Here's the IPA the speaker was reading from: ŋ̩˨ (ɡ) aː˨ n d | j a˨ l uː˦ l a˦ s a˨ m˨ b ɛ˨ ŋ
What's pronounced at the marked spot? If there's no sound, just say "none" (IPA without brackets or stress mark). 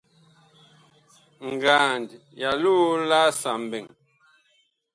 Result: ɡ